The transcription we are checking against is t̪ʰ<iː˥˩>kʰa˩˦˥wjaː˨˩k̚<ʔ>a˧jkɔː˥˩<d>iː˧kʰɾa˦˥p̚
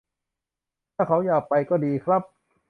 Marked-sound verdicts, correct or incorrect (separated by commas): incorrect, incorrect, correct